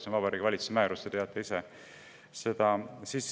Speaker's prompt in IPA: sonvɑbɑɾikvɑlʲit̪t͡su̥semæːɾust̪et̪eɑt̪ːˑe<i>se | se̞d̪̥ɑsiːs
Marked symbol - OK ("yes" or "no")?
yes